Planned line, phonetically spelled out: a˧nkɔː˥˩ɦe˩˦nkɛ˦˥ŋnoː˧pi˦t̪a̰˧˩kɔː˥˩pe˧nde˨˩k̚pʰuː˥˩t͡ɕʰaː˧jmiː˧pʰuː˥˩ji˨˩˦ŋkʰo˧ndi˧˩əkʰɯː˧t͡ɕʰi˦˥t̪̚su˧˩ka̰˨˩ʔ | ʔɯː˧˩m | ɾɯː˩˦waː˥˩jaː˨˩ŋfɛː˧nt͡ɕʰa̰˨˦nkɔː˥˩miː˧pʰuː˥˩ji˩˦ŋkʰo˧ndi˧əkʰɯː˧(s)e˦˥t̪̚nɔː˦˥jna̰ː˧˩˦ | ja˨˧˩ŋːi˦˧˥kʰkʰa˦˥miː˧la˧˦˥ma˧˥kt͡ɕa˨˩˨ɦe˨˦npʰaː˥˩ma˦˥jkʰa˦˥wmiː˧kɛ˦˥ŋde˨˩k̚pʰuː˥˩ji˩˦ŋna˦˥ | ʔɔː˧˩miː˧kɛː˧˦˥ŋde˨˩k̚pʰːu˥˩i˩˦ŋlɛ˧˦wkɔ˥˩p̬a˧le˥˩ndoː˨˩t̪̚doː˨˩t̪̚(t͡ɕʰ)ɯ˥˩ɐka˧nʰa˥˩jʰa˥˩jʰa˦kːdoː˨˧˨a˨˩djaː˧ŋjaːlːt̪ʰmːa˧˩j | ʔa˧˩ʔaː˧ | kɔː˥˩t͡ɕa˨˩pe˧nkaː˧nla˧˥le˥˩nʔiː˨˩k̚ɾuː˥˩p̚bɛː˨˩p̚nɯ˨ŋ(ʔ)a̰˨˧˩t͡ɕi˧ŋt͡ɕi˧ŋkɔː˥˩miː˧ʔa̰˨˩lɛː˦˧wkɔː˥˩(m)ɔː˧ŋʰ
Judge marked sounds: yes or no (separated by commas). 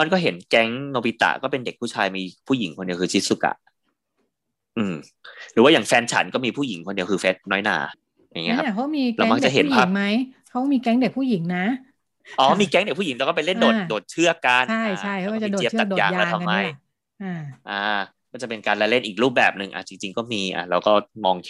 no, yes, yes, yes